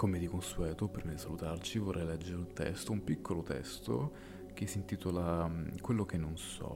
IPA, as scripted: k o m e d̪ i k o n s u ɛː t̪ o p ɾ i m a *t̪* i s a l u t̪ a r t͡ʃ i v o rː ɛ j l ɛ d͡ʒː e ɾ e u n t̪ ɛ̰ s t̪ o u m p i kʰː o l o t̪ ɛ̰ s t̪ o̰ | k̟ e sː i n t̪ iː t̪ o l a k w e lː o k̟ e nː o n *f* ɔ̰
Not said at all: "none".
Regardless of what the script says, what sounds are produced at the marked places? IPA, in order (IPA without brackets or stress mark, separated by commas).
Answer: d̪, s